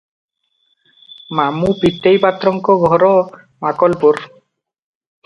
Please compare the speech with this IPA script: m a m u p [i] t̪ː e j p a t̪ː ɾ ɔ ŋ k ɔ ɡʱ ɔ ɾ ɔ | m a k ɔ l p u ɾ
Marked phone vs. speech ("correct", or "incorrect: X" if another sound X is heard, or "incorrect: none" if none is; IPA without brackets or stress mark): correct